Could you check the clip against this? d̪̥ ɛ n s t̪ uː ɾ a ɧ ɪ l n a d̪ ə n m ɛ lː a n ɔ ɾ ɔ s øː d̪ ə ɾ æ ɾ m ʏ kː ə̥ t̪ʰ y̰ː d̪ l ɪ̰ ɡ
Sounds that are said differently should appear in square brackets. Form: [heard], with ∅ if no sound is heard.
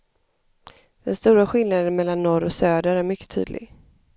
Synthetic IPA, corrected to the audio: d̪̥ ɛ n s t̪ uː ɾ a ɧ ɪ l n a d̪ ə n m ɛ lː a [nː] ɔ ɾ ɔ s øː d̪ ə ɾ æ ɾ m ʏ kː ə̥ t̪ʰ y̰ː d̪ l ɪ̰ ɡ